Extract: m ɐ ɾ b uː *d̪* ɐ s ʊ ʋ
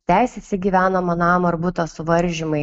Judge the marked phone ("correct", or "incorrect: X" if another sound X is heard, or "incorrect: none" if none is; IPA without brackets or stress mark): incorrect: t̪